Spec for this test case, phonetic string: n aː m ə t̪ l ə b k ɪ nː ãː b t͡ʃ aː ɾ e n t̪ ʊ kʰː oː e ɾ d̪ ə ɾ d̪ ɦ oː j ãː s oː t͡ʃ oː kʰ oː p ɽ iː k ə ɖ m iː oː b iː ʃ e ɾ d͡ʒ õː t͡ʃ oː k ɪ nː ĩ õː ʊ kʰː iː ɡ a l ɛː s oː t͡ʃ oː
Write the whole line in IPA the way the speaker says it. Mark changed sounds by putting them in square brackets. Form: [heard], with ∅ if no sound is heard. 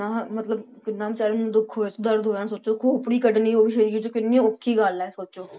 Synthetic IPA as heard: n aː m ə t̪ l ə b k ɪ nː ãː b t͡ʃ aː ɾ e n [d̪] ʊ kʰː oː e [∅] d̪ ə ɾ d̪ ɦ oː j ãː s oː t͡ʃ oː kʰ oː p ɽ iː k ə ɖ [n] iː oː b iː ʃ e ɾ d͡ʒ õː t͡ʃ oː k ɪ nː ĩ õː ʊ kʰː iː ɡ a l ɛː s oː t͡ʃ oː